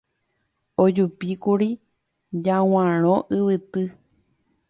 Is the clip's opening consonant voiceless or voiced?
voiced